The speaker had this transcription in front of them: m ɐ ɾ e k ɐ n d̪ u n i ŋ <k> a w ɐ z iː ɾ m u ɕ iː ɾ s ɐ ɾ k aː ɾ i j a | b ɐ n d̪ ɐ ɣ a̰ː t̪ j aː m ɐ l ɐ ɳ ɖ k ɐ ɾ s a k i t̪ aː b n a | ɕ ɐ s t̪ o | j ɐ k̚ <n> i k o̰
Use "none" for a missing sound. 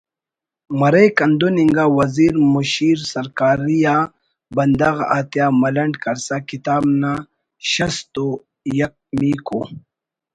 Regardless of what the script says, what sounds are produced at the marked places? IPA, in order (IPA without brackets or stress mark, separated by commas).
ɡ, m